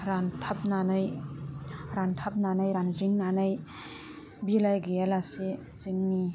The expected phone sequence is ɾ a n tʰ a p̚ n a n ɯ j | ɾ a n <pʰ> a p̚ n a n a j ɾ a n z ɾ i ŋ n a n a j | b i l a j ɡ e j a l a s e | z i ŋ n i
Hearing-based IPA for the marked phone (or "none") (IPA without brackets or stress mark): tʰ